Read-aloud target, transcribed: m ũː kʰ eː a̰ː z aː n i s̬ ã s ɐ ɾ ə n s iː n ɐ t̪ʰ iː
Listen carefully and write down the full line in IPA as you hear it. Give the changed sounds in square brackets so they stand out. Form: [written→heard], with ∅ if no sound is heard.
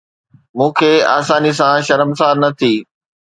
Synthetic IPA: m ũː kʰ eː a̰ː [z→s] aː n i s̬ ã [s→ʃ] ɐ ɾ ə [n→m] s [iː→aː] n ɐ t̪ʰ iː